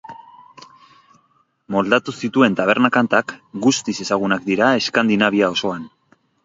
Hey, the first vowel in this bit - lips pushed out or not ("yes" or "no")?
yes